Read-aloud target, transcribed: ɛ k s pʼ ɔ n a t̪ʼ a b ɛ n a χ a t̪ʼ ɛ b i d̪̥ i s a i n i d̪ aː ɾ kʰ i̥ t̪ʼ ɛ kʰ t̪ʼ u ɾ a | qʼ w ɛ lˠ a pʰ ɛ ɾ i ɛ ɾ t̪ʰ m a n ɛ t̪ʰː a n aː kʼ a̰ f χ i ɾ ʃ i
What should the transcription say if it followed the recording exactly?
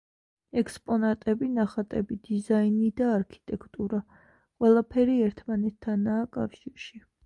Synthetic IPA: ɛ k s pʼ ɔ n a t̪ʼ ɛ b i n a χ a t̪ʼ ɛ b i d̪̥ i z a i n i d̪ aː ɾ kʰ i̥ t̪ʼ ɛ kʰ t̪ʼ u ɾ a | qʼ w ɛ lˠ a pʰ ɛ ɾ i ɛ ɾ t̪ʰ m a n ɛ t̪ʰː a n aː kʼ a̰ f ʃ i ɾ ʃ i